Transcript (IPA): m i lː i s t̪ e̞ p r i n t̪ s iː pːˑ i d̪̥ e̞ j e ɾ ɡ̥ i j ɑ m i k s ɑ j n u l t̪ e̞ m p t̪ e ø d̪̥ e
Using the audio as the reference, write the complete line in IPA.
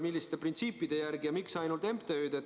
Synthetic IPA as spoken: m i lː i s t̪ e̞ p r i n t̪ s iː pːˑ i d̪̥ e̞ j æ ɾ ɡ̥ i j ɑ m i k s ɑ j n u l t̪ e̞ m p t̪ e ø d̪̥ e